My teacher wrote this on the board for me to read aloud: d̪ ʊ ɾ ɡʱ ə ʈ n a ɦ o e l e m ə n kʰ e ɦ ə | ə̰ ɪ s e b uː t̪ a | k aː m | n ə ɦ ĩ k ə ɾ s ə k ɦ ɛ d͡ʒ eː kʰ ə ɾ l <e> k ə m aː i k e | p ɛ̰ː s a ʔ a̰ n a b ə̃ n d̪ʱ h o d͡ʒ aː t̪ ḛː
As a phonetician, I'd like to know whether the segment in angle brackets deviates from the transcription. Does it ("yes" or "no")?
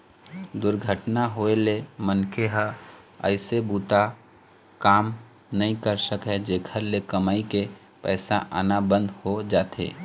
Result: no